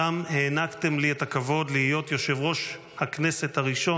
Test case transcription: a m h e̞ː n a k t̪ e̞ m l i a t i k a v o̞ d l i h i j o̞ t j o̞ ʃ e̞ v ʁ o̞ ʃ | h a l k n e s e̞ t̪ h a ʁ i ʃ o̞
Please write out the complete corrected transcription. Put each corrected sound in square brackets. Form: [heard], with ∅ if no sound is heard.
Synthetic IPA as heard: a m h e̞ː n a k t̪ e̞ m l i [e] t [a] k a v o̞ d l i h i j o̞ t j o̞ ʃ e̞ v ʁ o̞ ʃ | h a [∅] k n e s e̞ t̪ h a ʁ i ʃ o̞